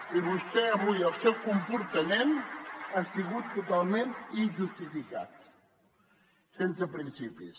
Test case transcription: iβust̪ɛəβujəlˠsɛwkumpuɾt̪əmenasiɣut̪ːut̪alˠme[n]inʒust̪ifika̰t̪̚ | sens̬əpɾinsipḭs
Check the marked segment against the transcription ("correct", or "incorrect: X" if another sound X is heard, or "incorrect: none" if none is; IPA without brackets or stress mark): correct